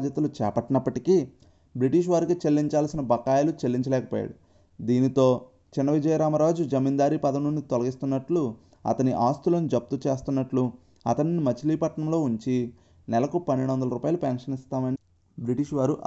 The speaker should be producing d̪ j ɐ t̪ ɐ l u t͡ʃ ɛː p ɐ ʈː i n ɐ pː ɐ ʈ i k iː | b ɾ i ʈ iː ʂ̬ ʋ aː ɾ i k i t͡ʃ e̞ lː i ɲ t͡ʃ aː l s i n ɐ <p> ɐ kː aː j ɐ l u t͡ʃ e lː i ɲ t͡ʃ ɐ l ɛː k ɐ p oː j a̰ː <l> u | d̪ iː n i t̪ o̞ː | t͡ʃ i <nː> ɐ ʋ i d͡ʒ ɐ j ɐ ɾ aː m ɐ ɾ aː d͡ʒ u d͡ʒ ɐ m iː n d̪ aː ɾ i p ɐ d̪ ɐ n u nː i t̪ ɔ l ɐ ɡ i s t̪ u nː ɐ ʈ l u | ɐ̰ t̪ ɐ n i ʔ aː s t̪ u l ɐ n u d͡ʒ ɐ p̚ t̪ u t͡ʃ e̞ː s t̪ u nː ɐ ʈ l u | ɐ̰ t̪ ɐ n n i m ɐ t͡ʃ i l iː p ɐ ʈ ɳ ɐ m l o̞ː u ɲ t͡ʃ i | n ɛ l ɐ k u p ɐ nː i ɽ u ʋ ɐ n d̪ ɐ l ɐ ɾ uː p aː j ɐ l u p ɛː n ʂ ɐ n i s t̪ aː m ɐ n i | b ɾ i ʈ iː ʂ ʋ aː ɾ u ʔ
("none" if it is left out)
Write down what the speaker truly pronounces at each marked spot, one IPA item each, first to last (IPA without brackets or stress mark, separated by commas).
b, ɽ, nː